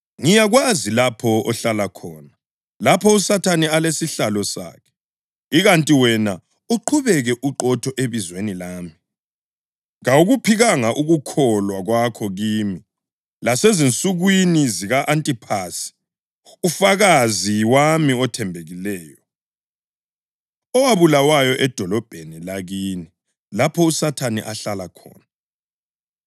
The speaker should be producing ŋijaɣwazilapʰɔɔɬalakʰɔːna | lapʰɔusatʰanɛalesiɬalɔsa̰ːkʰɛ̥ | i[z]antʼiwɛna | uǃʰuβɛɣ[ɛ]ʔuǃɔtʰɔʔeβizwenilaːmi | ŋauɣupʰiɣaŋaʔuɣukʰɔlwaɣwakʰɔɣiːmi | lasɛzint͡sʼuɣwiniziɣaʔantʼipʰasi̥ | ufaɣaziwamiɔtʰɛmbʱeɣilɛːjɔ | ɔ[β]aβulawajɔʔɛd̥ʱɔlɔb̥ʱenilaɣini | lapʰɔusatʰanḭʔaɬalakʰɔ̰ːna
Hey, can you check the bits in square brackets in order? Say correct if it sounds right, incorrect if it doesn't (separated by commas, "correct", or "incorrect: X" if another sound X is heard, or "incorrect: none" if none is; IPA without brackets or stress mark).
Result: incorrect: ɣ, correct, incorrect: w